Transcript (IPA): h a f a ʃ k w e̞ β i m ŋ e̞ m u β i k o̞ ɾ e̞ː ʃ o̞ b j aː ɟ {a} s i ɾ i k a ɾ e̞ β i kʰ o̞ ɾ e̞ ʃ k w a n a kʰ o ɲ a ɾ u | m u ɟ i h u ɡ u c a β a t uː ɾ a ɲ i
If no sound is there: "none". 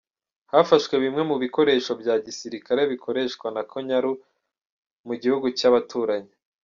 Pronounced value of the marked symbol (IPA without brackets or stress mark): i